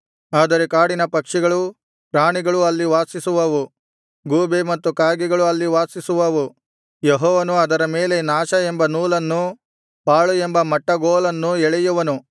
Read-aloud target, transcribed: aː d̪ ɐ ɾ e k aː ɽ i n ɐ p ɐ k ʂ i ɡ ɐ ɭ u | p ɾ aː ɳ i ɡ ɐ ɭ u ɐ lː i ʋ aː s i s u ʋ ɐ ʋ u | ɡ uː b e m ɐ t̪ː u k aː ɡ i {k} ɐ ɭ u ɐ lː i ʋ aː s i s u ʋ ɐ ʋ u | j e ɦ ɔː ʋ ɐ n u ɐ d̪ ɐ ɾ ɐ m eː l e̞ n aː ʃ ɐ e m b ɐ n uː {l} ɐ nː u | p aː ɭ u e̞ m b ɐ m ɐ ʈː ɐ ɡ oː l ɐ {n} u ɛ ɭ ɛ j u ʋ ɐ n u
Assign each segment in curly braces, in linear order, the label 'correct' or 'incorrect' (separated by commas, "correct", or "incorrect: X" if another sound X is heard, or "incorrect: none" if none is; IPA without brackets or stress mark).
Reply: incorrect: ɡ, correct, incorrect: nː